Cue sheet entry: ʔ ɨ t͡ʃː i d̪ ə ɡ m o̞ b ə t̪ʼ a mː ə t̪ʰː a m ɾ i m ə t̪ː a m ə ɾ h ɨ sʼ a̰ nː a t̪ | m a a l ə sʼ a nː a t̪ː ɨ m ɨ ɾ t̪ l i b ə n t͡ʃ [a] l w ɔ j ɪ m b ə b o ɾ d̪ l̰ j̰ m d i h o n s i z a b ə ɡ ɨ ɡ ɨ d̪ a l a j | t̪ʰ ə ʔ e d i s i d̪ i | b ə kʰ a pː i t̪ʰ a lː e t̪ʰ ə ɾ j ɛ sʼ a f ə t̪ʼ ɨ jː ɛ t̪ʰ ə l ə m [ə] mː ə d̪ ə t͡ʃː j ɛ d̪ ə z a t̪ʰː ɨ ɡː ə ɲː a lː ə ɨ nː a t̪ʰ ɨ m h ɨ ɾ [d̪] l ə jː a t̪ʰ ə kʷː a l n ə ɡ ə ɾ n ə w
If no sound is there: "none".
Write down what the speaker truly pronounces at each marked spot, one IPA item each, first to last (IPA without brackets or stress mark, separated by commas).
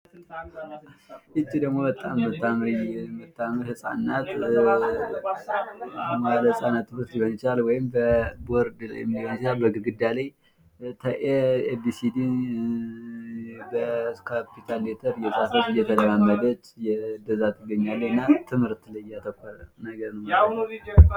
a, a, t̪